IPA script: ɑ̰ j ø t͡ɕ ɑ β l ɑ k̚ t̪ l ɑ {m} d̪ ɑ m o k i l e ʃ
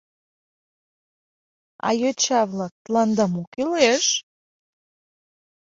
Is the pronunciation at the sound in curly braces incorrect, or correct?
incorrect